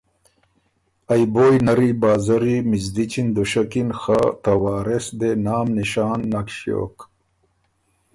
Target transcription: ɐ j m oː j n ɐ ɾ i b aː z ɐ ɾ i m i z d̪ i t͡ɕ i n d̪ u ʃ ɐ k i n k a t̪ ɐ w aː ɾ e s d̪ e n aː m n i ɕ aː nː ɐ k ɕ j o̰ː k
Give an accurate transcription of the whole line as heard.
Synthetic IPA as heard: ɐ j b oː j n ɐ ɾ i b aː z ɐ ɾ i m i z d̪ i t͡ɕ i n d̪ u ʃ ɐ k i n x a t̪ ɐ w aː ɾ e s d̪ e n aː m n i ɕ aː nː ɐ k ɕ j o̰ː k